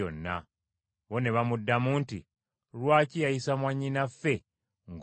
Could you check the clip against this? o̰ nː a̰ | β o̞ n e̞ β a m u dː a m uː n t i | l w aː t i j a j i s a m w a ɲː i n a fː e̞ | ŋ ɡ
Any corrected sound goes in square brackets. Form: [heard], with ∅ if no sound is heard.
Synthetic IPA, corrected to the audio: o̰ nː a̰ | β o̞ n e̞ β a m u dː a m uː n t i | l w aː [c] i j a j i s a m w a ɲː i n a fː e̞ | ŋ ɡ